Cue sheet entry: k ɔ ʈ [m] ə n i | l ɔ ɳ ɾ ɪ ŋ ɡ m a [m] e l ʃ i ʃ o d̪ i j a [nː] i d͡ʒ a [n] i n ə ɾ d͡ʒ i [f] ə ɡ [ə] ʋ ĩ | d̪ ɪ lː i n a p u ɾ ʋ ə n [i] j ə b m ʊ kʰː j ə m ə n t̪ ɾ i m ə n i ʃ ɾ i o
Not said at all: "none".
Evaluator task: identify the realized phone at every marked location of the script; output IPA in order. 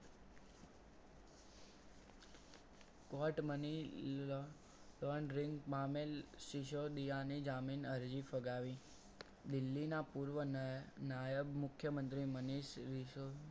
m, m, n, m, f, a, a

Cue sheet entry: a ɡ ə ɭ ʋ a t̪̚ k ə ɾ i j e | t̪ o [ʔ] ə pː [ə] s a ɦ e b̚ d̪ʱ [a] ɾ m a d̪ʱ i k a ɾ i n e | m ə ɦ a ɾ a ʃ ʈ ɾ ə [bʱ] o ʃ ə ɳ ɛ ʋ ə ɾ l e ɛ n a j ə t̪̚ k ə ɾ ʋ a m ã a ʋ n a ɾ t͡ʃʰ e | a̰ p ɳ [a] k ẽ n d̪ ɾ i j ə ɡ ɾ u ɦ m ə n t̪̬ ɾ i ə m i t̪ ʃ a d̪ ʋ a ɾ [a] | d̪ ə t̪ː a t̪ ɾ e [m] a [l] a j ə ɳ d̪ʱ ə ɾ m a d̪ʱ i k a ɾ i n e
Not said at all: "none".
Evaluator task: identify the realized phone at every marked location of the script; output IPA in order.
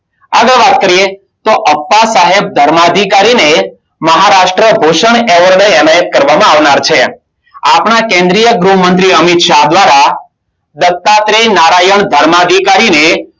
ʔ, a, ə, bʱ, a, a, n, ɾ

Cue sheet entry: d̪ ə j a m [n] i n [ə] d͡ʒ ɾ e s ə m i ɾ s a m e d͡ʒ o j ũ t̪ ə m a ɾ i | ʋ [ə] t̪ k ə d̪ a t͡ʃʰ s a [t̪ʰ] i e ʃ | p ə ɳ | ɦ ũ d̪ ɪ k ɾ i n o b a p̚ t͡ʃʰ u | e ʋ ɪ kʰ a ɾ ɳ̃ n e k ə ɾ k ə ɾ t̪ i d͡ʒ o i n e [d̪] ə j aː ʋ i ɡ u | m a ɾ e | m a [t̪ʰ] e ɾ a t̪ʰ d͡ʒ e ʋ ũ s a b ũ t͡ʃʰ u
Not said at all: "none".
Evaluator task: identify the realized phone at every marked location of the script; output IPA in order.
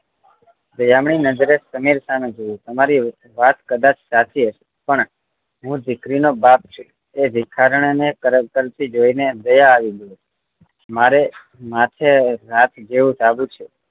ɳ, ə, a, t̪ʰ, d̪, t̪ʰ

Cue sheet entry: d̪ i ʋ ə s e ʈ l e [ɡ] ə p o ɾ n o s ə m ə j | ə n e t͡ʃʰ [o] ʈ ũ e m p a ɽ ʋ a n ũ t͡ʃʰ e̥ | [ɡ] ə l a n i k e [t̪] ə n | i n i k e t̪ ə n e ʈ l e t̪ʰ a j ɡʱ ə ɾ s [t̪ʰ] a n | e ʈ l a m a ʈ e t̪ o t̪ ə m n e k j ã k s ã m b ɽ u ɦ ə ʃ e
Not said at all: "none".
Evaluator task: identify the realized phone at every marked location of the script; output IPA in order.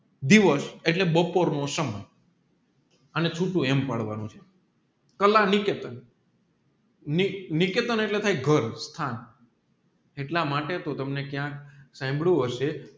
b, u, k, t̪, t̪ʰ

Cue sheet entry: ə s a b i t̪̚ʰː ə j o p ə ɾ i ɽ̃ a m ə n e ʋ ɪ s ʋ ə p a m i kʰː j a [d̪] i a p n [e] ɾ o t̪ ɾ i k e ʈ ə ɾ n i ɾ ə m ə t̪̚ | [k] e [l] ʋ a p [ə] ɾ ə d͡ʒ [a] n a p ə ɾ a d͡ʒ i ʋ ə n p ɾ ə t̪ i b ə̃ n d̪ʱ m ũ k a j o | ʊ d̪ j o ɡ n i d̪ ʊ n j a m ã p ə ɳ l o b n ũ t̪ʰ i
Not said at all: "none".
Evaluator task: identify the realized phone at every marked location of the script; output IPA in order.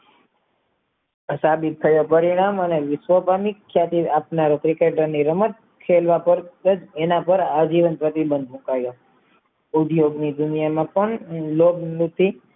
t̪, a, kʰ, l, ə, e

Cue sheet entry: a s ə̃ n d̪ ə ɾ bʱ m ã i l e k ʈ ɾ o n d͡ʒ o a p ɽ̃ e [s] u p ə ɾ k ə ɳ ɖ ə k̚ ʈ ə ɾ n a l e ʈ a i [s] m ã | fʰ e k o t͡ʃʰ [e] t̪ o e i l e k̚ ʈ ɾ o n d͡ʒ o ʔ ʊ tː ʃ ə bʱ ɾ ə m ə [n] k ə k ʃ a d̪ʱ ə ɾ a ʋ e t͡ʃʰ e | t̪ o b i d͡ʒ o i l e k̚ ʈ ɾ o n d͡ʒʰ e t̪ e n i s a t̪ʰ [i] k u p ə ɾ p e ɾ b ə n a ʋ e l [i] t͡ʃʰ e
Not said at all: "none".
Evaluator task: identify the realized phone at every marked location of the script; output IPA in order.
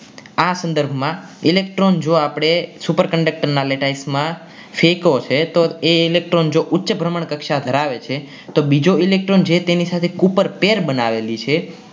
s, s, e, ɳ, e, i

